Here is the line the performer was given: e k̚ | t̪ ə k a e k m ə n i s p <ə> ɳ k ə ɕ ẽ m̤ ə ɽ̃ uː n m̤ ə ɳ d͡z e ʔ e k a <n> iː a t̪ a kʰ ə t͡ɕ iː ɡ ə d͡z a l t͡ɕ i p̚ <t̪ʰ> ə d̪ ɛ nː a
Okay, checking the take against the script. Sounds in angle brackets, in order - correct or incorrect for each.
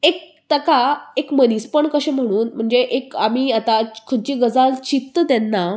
correct, incorrect: m, incorrect: t̪

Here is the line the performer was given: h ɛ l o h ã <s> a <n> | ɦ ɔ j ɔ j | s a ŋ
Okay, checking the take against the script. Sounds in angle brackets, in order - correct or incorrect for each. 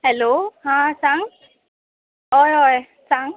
correct, incorrect: ŋ

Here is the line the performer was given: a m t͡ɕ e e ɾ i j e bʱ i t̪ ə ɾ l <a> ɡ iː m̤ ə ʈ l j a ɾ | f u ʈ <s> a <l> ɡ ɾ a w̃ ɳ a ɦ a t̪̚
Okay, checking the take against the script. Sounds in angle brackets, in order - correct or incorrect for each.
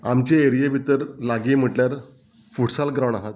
correct, correct, correct

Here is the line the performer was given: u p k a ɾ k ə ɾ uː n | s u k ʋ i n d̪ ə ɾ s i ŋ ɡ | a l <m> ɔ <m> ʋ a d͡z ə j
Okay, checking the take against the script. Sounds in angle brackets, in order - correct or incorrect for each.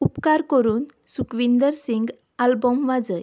incorrect: b, correct

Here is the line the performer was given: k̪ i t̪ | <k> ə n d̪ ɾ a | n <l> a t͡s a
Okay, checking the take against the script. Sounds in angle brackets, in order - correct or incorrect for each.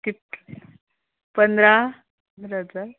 incorrect: p, incorrect: ɾ

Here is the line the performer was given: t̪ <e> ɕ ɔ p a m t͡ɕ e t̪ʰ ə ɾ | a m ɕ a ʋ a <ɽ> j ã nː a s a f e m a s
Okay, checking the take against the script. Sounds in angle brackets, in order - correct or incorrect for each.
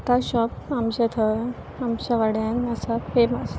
incorrect: a, correct

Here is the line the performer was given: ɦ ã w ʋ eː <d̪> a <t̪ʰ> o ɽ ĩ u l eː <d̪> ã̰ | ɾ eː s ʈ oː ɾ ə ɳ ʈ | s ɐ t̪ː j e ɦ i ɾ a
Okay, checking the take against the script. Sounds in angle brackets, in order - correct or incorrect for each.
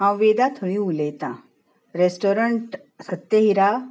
correct, correct, incorrect: t̪

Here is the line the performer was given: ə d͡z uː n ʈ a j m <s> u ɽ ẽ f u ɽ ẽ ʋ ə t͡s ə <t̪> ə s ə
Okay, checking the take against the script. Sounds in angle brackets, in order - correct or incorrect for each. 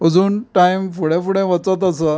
incorrect: f, correct

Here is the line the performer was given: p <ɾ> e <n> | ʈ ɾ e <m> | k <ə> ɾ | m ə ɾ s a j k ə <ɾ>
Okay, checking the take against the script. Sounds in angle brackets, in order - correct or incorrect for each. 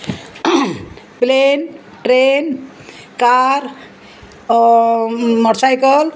incorrect: l, correct, incorrect: n, incorrect: a, incorrect: l

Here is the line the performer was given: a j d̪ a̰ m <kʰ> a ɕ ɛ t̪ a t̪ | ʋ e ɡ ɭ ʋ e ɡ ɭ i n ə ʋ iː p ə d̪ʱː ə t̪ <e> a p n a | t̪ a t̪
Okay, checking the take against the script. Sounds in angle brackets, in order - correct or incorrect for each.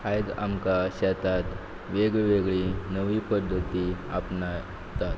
incorrect: k, incorrect: i

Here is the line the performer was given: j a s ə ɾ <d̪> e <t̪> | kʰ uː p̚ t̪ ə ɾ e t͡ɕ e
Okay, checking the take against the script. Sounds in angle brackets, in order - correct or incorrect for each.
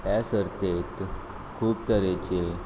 incorrect: t̪, correct

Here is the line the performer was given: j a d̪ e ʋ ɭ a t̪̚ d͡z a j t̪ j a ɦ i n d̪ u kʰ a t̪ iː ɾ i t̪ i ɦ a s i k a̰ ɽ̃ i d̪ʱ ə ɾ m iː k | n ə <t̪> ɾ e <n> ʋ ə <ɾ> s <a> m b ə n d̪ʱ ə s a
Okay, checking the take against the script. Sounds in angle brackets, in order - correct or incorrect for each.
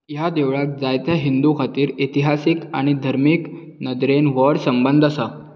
incorrect: d̪, correct, incorrect: ɽ, incorrect: ə

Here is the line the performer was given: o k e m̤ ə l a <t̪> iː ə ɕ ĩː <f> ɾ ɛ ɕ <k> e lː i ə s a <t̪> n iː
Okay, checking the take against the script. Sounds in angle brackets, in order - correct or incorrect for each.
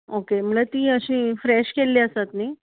correct, correct, correct, correct

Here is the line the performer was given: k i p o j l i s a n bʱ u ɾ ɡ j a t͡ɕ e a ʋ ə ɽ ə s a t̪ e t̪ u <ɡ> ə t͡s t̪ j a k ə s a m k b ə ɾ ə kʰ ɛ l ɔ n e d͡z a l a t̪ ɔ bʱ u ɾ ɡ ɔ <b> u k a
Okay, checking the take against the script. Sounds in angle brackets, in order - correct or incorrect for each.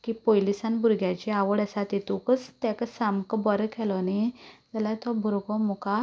incorrect: k, incorrect: m

